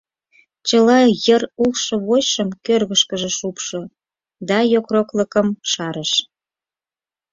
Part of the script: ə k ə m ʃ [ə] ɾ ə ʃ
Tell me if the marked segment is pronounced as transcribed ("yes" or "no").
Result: no